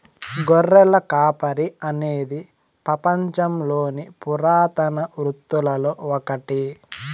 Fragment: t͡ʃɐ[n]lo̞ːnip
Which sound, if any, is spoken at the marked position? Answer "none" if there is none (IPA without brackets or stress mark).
m